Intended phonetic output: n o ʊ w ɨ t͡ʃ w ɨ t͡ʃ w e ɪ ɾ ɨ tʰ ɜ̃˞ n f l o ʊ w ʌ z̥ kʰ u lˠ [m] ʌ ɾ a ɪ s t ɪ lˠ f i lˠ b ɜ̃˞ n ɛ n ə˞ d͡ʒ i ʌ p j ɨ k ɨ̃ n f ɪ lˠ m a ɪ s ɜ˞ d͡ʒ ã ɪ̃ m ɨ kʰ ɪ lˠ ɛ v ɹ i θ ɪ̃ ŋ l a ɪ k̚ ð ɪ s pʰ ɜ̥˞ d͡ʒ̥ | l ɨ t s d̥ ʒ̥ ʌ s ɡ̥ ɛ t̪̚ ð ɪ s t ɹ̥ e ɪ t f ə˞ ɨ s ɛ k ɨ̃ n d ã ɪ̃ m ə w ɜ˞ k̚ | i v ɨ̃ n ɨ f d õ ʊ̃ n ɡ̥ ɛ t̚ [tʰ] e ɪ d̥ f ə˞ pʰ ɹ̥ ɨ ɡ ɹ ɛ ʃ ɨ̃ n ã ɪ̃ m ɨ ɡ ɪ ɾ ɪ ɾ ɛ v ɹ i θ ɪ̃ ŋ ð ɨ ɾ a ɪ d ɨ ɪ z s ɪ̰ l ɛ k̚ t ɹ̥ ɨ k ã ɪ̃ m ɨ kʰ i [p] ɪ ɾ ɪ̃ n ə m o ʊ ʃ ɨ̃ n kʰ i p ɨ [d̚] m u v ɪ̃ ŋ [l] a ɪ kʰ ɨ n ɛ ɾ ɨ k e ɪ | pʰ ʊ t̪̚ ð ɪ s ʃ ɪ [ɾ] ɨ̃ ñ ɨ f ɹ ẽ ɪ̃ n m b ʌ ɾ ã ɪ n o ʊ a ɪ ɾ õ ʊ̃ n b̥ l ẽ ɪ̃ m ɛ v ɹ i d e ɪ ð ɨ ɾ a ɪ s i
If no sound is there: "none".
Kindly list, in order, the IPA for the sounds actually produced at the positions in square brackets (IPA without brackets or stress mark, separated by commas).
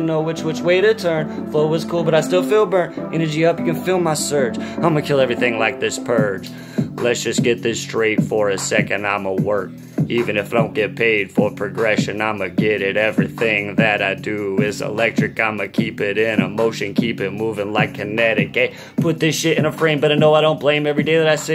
b, pʰ, p, t̚, l, ɾ